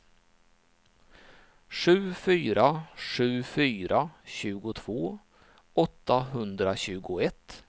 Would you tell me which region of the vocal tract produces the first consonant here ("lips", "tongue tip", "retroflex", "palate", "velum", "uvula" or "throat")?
retroflex